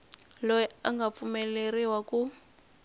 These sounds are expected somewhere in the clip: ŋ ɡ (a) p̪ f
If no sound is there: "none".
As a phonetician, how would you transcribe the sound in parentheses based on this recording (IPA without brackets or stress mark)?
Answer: a